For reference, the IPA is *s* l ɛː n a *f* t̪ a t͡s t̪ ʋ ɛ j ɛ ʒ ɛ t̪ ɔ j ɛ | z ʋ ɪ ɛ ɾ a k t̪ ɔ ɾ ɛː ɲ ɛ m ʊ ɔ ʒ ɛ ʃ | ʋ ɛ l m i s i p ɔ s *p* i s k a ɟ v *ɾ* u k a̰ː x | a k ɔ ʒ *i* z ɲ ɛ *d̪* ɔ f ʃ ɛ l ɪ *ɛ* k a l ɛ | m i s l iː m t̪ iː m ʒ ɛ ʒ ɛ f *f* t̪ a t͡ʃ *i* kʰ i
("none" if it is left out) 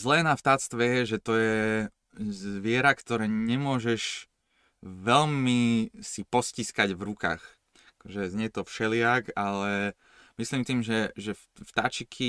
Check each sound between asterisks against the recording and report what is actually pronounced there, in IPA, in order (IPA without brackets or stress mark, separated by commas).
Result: z, f, c, ɾ, ɛ, t̪, a, f, i